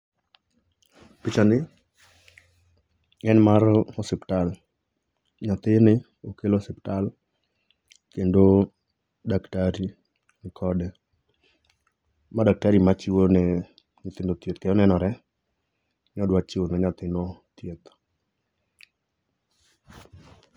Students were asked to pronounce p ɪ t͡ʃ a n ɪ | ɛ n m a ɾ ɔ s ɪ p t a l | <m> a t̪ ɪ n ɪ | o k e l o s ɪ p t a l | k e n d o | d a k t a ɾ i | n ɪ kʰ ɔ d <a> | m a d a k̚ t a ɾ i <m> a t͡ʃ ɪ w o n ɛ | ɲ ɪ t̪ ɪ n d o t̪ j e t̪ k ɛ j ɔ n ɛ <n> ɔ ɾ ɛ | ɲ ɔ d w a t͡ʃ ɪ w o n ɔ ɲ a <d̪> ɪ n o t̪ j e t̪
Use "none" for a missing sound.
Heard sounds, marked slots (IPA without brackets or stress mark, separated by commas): ɲ, ɛ, m, n, t̪